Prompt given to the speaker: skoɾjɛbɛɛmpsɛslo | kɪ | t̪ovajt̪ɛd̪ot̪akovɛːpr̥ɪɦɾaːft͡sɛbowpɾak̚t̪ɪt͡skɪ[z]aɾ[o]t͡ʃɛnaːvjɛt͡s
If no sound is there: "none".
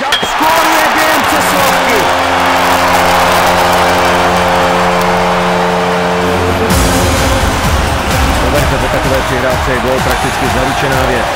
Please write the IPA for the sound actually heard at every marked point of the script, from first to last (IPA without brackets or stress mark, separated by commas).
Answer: z, u